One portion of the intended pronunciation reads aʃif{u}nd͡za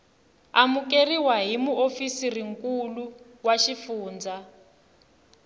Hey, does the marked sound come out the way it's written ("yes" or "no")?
no